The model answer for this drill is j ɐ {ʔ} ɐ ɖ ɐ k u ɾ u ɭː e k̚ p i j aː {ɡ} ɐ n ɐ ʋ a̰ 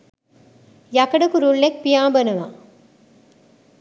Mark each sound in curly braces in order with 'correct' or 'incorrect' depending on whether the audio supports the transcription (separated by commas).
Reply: incorrect, incorrect